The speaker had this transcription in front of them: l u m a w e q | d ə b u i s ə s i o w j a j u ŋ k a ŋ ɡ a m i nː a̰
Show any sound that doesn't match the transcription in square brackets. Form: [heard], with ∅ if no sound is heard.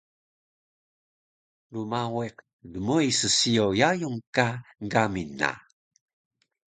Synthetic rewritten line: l u m a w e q | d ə [m] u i s ə s i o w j a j u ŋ k a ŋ ɡ a m i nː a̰